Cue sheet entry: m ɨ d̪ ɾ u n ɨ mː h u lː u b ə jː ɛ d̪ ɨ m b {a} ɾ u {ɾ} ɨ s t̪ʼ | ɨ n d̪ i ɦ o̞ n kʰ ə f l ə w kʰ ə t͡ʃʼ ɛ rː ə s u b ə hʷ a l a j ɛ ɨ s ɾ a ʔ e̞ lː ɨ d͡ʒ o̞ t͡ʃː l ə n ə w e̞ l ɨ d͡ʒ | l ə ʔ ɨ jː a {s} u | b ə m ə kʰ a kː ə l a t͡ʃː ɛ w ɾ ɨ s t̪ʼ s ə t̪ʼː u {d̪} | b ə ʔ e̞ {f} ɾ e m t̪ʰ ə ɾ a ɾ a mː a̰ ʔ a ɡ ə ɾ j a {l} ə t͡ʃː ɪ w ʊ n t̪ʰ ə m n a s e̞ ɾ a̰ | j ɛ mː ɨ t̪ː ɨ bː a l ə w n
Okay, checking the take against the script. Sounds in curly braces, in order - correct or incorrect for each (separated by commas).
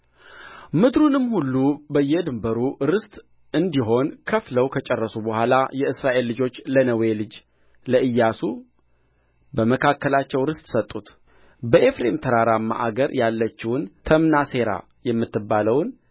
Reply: incorrect, correct, correct, incorrect, correct, incorrect